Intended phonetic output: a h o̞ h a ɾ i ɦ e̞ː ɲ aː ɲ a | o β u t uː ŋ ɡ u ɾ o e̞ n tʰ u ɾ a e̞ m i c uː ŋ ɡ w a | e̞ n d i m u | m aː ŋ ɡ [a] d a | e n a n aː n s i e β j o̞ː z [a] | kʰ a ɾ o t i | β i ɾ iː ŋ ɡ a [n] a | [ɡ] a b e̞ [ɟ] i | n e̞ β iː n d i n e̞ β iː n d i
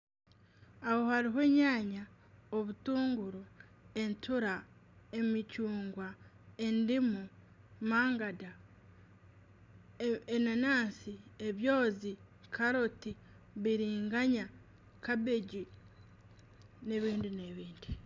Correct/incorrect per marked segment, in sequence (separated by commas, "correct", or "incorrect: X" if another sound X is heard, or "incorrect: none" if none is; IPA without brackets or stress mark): correct, incorrect: i, incorrect: ɲ, incorrect: k, correct